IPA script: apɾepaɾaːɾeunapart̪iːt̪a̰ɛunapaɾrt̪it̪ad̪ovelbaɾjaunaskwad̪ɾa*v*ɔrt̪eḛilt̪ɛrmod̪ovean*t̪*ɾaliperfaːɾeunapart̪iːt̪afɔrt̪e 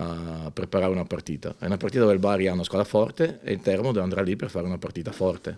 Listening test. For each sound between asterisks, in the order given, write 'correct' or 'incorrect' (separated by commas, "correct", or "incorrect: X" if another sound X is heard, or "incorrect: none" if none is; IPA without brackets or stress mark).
incorrect: f, incorrect: d̪